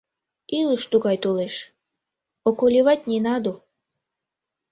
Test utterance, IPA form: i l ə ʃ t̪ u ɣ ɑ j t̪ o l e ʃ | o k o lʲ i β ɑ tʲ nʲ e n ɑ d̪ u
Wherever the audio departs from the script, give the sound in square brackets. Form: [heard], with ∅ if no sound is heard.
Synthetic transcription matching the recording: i l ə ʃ t̪ u ɣ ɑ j t̪ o l e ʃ | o k o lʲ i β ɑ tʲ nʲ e n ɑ d̪ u